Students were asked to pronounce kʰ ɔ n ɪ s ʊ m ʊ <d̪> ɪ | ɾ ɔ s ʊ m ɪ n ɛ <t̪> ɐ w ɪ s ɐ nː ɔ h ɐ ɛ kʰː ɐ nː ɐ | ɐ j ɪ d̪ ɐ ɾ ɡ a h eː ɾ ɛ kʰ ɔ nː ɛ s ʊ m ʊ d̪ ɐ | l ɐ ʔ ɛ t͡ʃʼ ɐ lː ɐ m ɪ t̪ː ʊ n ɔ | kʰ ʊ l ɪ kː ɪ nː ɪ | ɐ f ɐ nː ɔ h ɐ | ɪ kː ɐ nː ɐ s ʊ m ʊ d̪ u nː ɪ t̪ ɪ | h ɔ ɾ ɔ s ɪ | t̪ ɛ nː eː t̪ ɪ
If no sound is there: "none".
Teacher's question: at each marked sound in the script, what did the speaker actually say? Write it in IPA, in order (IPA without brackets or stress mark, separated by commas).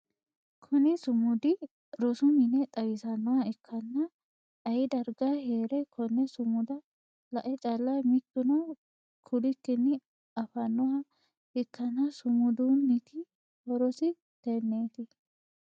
d̪, t̪ʼ